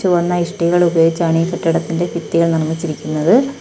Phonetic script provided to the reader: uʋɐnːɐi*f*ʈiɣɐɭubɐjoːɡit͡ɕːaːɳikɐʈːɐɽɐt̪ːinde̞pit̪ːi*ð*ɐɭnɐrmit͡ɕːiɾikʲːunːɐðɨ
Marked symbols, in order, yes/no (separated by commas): no, no